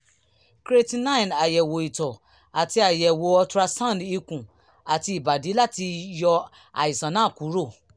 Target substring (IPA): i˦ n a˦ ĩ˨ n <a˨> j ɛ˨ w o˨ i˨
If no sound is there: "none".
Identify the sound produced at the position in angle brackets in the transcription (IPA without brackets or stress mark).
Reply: a˨